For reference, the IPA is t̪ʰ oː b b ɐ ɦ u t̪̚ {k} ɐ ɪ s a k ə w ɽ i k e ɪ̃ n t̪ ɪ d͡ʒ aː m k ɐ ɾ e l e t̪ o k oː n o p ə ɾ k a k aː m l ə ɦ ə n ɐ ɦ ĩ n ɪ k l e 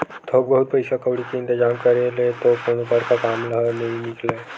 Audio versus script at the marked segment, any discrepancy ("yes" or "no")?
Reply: yes